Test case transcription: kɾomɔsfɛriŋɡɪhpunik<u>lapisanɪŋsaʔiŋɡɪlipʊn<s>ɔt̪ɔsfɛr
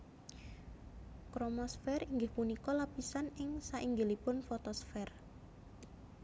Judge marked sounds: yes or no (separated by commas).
no, no